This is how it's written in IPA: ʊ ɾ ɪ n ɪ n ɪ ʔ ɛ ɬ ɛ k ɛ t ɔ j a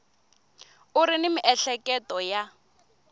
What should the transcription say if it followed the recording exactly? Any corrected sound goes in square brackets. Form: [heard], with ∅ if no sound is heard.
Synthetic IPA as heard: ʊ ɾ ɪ n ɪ [m] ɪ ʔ ɛ ɬ ɛ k ɛ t ɔ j a